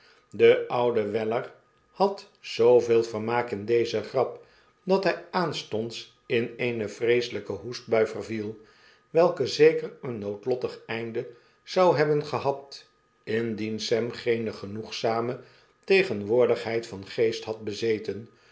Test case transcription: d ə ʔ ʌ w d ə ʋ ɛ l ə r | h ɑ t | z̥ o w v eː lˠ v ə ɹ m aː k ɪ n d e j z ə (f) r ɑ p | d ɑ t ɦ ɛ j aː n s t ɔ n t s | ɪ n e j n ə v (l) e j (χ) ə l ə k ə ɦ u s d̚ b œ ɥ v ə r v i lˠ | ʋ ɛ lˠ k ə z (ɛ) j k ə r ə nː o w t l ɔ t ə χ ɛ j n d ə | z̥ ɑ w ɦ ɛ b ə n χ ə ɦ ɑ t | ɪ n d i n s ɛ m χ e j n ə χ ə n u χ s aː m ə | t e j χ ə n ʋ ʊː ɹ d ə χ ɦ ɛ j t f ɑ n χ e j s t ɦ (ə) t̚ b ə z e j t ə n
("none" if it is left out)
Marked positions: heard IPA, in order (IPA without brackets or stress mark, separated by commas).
χ, r, s, e, ɑ